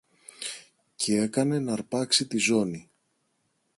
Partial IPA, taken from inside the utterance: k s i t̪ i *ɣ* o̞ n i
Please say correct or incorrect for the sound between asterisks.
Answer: incorrect